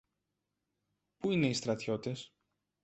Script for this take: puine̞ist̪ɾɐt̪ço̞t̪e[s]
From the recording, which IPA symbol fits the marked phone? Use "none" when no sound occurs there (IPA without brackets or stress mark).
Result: s